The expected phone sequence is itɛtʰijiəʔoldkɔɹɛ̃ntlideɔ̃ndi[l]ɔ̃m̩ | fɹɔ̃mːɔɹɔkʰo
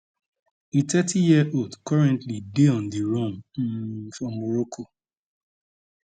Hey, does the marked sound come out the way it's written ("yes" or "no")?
no